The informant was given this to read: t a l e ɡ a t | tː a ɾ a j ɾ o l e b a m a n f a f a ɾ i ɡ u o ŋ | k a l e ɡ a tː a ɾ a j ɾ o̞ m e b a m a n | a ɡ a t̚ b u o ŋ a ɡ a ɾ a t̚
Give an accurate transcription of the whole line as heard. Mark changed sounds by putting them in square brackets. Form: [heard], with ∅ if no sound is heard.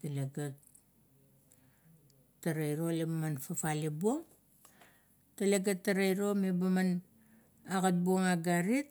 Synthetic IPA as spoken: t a l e ɡ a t | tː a ɾ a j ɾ o l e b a m a n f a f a [l] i [b] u o ŋ | [t] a l e ɡ a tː a ɾ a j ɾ o̞ m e b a m a n | a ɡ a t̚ b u o ŋ a ɡ a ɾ [i] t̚